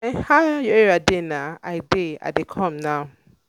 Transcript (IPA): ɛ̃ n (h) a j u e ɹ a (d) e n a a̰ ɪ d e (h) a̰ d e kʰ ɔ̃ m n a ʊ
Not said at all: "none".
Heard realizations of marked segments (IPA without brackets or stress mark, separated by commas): h, d, none